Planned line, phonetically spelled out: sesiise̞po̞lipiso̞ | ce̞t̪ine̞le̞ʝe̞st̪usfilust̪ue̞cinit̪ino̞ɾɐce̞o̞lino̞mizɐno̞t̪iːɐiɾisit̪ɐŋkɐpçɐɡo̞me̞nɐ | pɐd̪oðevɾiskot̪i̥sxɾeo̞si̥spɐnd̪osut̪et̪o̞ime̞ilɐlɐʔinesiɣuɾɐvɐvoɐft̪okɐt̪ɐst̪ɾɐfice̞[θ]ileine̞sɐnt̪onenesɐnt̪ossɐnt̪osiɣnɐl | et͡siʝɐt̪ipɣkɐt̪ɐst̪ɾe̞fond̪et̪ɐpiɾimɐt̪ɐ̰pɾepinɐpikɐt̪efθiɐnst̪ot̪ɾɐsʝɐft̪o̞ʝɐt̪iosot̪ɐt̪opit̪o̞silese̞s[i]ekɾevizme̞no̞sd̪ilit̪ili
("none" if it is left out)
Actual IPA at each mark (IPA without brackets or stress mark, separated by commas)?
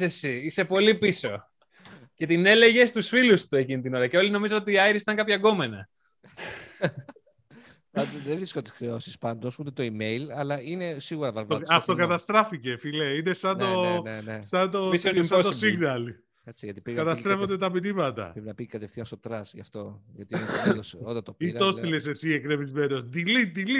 f, i